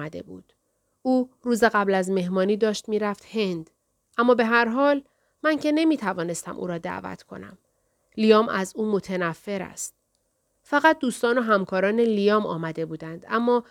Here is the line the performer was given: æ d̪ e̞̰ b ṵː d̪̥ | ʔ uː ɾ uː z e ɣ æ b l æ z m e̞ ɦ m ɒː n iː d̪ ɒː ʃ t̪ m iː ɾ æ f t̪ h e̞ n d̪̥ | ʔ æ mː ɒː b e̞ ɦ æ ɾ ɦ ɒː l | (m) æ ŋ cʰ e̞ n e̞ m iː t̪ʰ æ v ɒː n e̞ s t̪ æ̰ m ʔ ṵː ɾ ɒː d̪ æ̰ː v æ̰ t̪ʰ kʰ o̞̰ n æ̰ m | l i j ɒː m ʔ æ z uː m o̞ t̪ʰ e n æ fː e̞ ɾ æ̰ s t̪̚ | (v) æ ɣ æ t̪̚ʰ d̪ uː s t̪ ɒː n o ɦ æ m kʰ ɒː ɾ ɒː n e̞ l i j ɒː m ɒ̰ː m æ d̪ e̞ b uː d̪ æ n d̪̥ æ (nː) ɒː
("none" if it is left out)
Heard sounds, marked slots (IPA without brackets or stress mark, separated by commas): m, f, mː